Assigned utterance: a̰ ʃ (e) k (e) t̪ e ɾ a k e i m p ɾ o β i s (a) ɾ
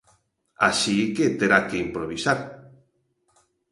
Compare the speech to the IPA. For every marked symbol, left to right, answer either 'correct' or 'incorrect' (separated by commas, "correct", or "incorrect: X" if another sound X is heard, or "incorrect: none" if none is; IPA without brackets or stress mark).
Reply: incorrect: i, correct, correct